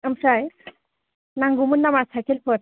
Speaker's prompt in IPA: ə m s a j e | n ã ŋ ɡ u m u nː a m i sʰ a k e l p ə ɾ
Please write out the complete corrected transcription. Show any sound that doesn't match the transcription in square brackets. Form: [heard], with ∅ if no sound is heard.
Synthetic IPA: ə m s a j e | n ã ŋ ɡ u m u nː a m [a] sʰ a k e l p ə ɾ